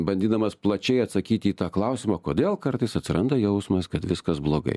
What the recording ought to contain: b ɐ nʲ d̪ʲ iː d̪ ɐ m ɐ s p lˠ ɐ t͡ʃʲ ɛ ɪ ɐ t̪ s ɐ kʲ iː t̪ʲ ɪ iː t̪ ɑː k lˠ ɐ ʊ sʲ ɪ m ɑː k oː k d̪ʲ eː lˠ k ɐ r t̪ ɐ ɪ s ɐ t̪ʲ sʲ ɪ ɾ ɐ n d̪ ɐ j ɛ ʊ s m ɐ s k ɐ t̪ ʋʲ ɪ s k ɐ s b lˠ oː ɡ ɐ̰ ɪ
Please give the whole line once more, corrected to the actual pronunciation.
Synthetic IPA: b ɐ nʲ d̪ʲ iː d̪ ɐ m ɐ s p lˠ ɐ t͡ʃʲ ɛ ɪ ɐ t̪ s ɐ kʲ iː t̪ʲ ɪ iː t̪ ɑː k lˠ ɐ ʊ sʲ ɪ m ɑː k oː d̪ʲ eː lˠ k ɐ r t̪ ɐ ɪ s ɐ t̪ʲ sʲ ɪ ɾ ɐ n d̪ ɐ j ɛ ʊ s m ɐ s k ɐ t̪ ʋʲ ɪ s k ɐ s b lˠ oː ɡ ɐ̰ ɪ